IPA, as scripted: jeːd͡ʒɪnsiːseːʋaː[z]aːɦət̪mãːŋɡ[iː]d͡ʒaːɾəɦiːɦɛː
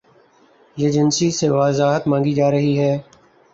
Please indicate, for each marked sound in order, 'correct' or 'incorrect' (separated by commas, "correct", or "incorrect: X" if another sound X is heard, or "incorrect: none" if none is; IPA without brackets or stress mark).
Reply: correct, correct